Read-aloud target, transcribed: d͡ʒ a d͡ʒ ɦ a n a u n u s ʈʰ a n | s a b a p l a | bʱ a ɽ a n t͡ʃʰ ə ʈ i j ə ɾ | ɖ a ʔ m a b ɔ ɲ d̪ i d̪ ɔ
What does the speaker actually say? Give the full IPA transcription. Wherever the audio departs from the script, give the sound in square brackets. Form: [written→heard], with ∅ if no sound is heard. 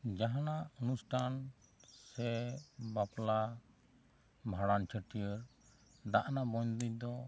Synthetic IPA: d͡ʒ a [d͡ʒ→∅] ɦ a n a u n u s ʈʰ a n | s [a→ɛ] b a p l a | bʱ a ɽ a n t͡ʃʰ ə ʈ i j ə ɾ | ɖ a ʔ [m→n] a b ɔ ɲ d̪ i d̪ ɔ